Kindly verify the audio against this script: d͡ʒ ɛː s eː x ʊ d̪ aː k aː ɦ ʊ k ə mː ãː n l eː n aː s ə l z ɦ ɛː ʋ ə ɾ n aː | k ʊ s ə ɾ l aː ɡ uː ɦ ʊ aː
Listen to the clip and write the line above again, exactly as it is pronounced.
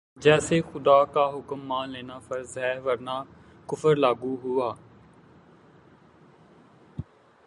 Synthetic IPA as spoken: d͡ʒ ɛː s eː x ʊ d̪ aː k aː ɦ ʊ k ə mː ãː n l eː n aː f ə ɾ z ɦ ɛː ʋ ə ɾ n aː | k ʊ f ə ɾ l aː ɡ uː ɦ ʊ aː

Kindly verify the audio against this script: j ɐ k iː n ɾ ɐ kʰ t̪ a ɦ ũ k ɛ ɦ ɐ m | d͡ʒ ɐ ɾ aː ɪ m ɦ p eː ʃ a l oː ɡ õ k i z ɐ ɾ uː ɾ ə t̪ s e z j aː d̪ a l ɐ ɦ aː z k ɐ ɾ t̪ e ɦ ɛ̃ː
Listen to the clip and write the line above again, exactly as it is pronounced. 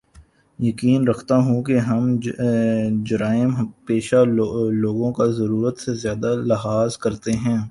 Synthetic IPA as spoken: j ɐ k iː n ɾ ɐ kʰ t̪ a ɦ ũ k e ɦ ɐ m | d͡ʒ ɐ ɾ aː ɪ m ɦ p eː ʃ a l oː ɡ õ k a z ɐ ɾ uː ɾ ə t̪ s e z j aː d̪ a l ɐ ɦ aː z k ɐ ɾ t̪ e ɦ ɛ̃ː

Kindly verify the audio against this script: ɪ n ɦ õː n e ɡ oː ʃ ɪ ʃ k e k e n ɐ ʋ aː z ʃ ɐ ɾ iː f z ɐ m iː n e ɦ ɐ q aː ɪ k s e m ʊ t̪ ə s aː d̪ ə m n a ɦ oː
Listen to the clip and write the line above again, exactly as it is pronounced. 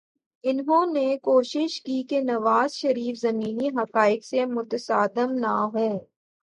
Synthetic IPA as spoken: ɪ n ɦ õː n e k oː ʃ ɪ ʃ k i k e n ɐ ʋ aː z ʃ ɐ ɾ iː f z ɐ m iː n i ɦ ɐ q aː ɪ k s e m ʊ t̪ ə s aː d̪ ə m n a ɦ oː

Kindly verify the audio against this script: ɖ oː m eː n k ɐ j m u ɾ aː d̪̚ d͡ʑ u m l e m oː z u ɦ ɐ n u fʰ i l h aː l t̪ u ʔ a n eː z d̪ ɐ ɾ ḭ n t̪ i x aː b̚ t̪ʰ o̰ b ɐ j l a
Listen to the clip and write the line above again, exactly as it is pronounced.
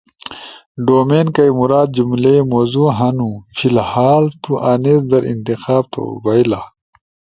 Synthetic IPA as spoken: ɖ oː m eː n k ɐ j m u ɾ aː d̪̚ d͡ʑ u m l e m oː z u ɦ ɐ n u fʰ i l h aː l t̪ u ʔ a n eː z d̪ ɐ ɾ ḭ n t̪ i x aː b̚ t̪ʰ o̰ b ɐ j l a

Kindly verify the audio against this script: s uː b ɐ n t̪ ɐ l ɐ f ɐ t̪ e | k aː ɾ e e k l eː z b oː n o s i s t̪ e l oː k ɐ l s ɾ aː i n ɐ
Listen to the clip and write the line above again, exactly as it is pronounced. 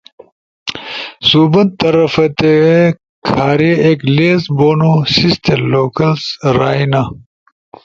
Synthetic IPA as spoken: s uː b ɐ n t̪ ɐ ɾ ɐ f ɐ t̪ e | kʰ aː ɾ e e k l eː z b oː n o s i s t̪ e l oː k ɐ l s ɾ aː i n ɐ

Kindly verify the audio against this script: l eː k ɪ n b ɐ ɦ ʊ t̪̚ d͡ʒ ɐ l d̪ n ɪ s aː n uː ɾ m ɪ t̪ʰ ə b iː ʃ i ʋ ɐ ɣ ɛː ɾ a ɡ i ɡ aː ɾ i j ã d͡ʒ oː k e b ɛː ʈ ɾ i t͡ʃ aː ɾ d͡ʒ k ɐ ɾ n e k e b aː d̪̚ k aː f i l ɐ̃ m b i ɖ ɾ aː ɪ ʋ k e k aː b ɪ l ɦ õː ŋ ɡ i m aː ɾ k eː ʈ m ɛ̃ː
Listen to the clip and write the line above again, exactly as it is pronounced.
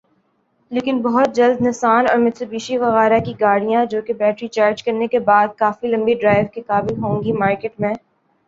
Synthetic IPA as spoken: l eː k ɪ n b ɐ ɦ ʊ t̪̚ d͡ʒ ɐ l d̪ n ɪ s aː n ɔː ɾ m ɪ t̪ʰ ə b iː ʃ i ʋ ɐ ɣ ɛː ɾ a k i ɡ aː ɽ i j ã d͡ʒ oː k e b ɛː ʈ ɾ i t͡ʃ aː ɾ d͡ʒ k ɐ ɾ n e k e b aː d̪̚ k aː f i l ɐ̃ m b i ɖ ɾ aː ɪ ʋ k e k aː b ɪ l ɦ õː ŋ ɡ i m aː ɾ k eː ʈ m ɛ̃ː

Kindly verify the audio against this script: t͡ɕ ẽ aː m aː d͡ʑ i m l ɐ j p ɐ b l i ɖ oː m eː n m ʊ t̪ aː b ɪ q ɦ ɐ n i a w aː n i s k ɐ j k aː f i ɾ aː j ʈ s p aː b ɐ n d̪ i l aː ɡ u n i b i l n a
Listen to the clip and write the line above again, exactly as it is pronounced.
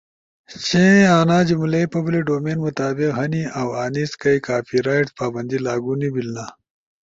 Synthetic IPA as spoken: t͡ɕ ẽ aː n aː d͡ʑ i m l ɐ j p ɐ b l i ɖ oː m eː n m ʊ t̪ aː b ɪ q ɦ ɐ n i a w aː n i s k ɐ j k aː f i ɾ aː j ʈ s p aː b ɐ n d̪ i l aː ɡ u n i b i l n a

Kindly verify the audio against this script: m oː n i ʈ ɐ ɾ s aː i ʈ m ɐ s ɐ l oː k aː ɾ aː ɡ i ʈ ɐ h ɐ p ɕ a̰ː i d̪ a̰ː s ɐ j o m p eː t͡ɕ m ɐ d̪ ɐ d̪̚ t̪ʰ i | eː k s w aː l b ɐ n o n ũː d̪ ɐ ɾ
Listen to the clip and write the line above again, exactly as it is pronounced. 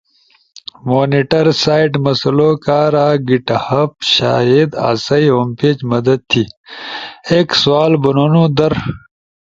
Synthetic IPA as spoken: m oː n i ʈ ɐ ɾ s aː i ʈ m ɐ s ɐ l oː k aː ɾ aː ɡ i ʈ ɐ h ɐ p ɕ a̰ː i d̪ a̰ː s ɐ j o m p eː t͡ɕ m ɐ d̪ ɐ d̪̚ t̪ʰ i | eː k s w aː l b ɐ n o n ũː d̪ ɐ ɾ

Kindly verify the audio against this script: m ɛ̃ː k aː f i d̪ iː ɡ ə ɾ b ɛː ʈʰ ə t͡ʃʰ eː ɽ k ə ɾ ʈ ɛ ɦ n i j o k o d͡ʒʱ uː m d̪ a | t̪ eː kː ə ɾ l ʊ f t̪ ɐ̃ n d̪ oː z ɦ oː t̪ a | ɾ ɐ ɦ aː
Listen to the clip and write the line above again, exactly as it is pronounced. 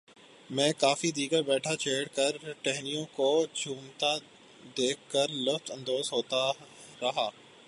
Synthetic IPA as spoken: m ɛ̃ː k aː f i d̪ iː ɡ ə ɾ b ɛː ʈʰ a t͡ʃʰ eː ɽ k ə ɾ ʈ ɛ ɦ n i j õ k o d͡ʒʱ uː m t̪ a | d̪ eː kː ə ɾ l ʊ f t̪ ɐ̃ n d̪ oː z ɦ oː t̪ a | ɾ ɐ ɦ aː

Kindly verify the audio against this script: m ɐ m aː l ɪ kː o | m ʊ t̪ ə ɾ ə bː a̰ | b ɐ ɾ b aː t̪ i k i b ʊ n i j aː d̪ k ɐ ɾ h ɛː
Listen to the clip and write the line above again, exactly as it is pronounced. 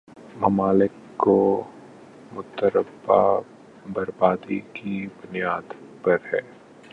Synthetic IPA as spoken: m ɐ m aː l ɪ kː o | m ʊ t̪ ə ɾ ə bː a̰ | b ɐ ɾ b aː d̪ i k i b ʊ n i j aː d̪ p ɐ ɾ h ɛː

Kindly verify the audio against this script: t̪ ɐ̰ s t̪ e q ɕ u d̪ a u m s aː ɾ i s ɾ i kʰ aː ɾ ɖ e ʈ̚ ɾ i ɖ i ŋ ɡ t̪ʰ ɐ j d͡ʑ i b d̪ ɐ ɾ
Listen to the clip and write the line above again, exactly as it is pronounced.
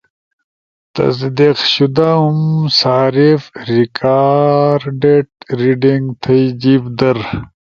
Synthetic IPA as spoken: t̪ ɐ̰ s d̪ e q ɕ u d̪ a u m s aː ɾ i f ɾ i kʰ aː ɾ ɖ e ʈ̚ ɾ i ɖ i ŋ ɡ t̪ʰ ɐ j d͡ʑ i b d̪ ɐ ɾ

